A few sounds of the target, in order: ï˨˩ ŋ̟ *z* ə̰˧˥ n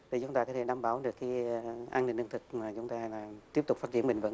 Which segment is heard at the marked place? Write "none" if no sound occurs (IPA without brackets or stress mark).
v